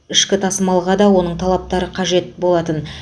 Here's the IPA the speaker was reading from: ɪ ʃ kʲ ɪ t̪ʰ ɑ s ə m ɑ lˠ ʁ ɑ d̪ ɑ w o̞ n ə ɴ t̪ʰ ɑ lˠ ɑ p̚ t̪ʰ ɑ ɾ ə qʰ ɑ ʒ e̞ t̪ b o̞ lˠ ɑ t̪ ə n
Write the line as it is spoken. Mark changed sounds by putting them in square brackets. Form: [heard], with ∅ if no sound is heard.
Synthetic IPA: ɪ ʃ kʲ ɪ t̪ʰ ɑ s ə m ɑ lˠ ʁ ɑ d̪ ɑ w o̞ n ə ɴ t̪ʰ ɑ lˠ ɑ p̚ [t̪] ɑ ɾ ə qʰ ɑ ʒ e̞ t̪ b o̞ lˠ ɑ t̪ ə n